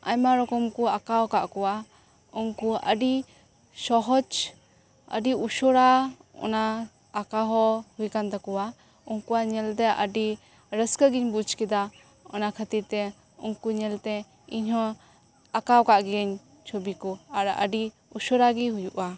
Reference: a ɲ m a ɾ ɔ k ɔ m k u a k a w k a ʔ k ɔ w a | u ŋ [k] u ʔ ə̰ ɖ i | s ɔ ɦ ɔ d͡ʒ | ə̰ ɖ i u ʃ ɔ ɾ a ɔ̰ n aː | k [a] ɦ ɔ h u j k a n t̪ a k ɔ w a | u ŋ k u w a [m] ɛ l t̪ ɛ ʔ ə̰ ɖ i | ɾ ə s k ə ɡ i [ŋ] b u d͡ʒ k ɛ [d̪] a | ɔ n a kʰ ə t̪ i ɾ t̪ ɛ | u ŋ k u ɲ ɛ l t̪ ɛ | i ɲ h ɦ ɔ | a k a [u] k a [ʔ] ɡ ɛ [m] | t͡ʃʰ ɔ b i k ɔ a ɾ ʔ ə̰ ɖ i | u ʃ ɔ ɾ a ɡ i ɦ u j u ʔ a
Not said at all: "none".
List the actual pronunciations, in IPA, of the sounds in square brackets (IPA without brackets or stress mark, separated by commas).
k, a, ɲ, ɲ, d̪, w, ʔ, ɲ